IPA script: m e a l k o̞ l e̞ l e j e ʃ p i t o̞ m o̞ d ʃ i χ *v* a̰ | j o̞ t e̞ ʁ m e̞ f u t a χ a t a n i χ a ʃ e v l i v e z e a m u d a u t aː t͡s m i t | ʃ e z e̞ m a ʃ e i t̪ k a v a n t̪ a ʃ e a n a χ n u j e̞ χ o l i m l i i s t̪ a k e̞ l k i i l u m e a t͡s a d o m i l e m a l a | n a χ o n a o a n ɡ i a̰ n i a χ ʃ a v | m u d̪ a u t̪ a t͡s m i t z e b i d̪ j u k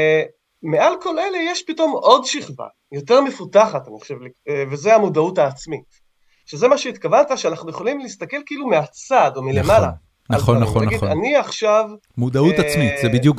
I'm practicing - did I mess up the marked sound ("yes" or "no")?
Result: no